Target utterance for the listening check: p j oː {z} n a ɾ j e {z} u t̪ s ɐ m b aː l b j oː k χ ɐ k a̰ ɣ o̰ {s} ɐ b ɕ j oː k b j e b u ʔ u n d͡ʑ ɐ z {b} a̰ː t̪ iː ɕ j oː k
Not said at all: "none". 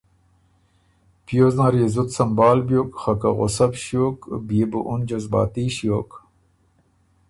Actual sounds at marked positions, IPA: z, z, s, b

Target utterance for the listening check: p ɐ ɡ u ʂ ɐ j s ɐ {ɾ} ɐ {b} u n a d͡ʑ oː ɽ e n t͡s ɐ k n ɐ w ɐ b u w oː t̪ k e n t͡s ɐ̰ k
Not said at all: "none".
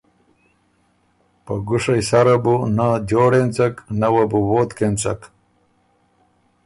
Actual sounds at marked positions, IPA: ɾ, b

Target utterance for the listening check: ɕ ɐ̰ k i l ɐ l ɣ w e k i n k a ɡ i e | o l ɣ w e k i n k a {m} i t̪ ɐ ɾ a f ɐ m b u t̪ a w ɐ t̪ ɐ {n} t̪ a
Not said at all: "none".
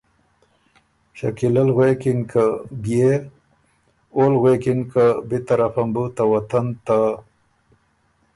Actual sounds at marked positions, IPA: b, n

